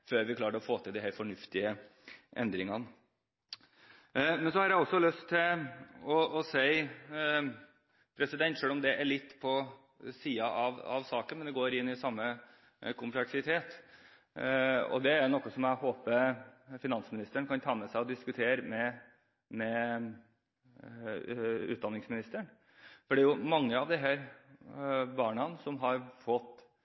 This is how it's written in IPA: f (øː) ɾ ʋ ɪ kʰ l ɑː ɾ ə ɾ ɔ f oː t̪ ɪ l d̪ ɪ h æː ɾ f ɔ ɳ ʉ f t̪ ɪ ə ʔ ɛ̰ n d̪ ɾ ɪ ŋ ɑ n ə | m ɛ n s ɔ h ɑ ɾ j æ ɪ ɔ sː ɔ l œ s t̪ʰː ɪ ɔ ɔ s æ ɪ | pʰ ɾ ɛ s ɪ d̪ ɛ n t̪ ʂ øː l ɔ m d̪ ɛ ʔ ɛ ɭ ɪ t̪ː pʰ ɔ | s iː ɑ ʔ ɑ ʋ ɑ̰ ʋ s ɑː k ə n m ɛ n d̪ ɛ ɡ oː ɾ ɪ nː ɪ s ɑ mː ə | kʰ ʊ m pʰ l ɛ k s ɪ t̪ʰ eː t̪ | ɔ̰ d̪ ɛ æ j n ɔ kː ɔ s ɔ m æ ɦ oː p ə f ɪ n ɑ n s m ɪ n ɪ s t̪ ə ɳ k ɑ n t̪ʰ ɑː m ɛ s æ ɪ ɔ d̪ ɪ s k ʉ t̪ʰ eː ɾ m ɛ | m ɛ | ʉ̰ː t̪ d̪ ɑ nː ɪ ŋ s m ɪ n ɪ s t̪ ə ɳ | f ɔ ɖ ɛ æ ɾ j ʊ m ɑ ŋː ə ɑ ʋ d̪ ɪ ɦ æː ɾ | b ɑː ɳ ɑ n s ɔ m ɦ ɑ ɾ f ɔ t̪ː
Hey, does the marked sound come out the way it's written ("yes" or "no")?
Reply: yes